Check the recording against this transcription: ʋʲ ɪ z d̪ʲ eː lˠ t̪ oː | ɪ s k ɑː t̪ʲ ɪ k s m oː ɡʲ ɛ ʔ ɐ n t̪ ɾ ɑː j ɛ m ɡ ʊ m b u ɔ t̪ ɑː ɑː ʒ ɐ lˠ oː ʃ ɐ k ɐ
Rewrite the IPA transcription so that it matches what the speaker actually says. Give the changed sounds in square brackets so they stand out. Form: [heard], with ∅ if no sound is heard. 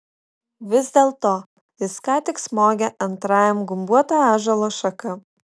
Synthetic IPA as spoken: ʋʲ ɪ z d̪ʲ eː lˠ t̪ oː | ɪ s k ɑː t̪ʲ ɪ k s m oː ɡʲ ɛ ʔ ɐ n t̪ ɾ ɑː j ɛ m ɡ ʊ m b u ɔ t̪ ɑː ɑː ʒ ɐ lˠ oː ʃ ɐ k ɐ